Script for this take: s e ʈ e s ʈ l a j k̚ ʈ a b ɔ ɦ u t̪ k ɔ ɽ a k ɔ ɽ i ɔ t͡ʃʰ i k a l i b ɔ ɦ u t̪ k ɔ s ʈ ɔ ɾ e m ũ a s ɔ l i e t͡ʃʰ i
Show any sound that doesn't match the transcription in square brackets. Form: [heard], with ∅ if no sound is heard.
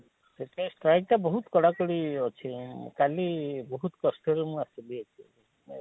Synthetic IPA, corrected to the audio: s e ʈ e s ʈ [ɾ] a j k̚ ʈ a b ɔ ɦ u t̪ k ɔ ɽ a k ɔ ɽ i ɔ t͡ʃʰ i k a l i b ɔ ɦ u t̪ k ɔ s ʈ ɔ ɾ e m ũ a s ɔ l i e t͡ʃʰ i